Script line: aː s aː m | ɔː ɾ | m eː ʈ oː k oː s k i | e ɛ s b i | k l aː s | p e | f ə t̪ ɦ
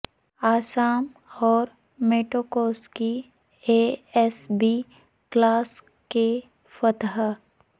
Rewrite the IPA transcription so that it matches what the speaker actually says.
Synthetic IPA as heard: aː s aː m | ɔː ɾ | m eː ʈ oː k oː s k i | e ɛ s b i | k l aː s | k e | f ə t̪ ɦ